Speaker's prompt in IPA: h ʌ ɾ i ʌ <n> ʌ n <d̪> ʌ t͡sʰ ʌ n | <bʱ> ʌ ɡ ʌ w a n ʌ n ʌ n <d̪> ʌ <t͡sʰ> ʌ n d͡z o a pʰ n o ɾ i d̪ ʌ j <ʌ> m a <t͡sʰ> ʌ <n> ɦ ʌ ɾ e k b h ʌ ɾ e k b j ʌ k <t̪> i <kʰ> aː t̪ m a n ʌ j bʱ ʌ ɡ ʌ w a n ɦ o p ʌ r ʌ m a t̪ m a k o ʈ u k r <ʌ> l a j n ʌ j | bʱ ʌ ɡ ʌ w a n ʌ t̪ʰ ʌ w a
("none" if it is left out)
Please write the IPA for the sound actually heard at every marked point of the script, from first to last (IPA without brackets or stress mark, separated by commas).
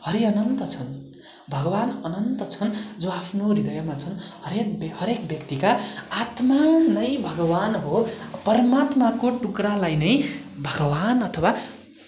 n, t̪, bʱ, t̪, t͡sʰ, ʌ, t͡sʰ, n, t̪, k, a